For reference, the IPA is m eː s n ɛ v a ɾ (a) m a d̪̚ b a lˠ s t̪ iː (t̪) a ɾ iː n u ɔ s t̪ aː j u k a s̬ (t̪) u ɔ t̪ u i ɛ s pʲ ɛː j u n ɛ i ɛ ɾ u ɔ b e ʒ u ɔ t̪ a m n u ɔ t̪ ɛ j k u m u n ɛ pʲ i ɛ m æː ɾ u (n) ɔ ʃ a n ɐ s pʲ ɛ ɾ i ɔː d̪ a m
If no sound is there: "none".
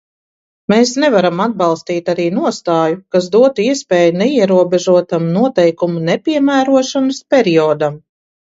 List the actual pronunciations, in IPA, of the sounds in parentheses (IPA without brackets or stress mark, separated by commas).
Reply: a, t̪, d̪, none